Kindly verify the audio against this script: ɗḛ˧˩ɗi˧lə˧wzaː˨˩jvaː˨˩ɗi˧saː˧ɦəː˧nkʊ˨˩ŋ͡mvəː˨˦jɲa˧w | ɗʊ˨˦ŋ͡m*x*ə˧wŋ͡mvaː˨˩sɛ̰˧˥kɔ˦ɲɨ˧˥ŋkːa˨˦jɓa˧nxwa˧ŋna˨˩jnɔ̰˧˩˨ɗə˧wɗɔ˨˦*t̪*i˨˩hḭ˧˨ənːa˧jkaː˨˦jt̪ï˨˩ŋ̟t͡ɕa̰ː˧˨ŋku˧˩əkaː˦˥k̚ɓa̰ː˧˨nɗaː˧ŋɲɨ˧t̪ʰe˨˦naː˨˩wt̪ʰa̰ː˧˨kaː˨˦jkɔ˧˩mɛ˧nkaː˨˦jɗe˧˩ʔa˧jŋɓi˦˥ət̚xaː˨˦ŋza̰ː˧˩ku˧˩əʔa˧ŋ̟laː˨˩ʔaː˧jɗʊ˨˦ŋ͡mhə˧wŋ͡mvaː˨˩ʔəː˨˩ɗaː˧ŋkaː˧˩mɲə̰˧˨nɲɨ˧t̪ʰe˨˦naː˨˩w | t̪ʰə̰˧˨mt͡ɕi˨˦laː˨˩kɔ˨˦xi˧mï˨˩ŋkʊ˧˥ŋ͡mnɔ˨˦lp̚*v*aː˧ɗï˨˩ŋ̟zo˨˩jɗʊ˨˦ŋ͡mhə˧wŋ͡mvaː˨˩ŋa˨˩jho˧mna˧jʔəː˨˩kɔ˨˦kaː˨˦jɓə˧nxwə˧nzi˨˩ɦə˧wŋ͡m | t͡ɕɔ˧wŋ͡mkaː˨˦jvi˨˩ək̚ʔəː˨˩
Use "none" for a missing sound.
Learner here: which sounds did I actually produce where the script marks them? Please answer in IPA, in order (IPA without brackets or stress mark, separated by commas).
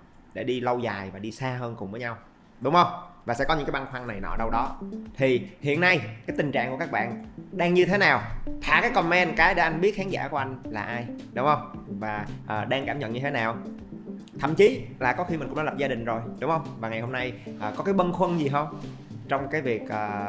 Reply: h, t̪ʰ, z